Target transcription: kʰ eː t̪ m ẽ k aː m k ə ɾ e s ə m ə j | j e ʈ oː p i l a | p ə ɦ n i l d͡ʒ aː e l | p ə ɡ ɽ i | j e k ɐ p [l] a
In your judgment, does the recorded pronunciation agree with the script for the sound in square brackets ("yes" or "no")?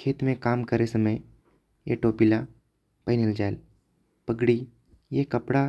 no